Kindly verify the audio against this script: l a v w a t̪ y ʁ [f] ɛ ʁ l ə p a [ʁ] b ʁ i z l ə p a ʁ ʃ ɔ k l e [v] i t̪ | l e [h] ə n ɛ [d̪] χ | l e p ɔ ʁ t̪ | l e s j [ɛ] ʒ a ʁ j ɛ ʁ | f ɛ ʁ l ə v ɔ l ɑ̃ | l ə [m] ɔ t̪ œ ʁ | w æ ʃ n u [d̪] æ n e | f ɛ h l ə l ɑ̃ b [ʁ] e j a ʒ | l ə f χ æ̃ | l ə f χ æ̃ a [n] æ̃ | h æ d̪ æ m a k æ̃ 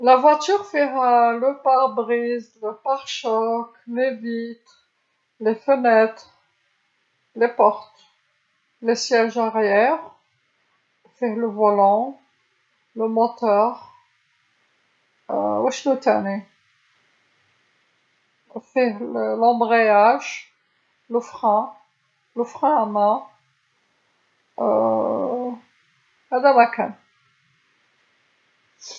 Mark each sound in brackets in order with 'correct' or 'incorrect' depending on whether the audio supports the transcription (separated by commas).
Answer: correct, correct, correct, incorrect, incorrect, correct, correct, incorrect, correct, incorrect